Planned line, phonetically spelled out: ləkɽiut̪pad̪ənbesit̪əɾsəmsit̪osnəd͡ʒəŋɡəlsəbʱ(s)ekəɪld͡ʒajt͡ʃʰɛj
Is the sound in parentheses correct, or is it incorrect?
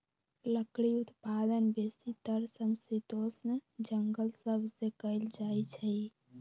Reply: correct